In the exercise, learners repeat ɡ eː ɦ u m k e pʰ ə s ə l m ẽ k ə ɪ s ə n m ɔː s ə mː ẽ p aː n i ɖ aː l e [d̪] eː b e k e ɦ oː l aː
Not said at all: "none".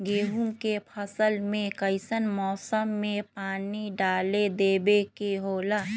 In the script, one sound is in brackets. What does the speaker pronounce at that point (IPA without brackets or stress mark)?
d̪